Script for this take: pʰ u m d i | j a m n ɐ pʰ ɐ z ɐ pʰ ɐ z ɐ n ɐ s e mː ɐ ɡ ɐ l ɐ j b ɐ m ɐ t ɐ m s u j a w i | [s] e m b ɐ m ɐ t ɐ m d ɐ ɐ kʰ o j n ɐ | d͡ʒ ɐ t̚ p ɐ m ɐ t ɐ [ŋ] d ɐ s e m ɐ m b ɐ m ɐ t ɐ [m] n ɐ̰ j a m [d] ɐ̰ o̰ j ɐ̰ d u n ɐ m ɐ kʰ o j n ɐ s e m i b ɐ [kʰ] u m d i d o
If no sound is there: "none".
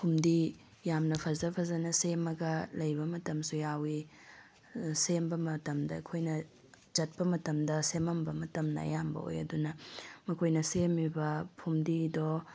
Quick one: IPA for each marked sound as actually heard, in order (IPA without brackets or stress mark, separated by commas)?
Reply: s, m, m, b, pʰ